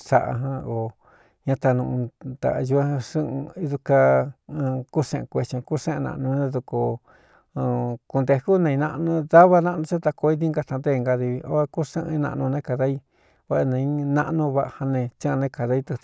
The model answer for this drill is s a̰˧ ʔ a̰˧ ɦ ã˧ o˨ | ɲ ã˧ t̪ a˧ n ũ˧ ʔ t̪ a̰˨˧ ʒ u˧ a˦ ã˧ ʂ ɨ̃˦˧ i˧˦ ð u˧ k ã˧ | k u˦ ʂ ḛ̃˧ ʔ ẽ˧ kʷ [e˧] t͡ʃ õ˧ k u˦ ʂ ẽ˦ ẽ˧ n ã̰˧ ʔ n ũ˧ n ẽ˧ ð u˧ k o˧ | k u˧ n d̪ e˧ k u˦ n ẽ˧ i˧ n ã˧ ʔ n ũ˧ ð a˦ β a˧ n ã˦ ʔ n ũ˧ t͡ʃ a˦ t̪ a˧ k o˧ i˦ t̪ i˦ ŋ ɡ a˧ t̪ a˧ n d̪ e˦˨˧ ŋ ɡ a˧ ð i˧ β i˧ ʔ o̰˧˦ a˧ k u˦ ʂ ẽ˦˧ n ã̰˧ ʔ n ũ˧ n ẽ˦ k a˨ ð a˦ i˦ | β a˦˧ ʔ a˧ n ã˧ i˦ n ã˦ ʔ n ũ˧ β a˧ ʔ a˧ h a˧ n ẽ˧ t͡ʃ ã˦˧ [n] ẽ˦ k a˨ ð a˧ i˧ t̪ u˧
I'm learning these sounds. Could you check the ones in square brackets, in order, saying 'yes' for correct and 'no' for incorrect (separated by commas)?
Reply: yes, yes